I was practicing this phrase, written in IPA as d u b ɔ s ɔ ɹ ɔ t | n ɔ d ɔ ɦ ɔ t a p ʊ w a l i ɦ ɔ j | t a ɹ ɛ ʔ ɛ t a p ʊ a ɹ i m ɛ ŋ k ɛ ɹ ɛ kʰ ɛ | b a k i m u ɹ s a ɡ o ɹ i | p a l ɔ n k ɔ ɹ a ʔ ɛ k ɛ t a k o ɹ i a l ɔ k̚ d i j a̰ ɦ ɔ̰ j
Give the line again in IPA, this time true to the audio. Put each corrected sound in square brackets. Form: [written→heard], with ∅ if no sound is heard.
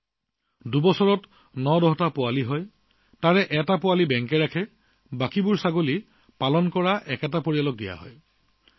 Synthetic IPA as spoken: d u b ɔ s ɔ ɹ ɔ t | n ɔ d ɔ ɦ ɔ t a p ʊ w a l i ɦ ɔ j | t a ɹ ɛ ʔ ɛ t a p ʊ a [ɹ→l] i [m→b] ɛ ŋ k ɛ ɹ [ɛ→a] kʰ ɛ | b a k i [m→b] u ɹ s a ɡ o [ɹ→l] i | p a l ɔ n k ɔ ɹ a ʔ ɛ k ɛ t a [k→p] o ɹ i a l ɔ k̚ d i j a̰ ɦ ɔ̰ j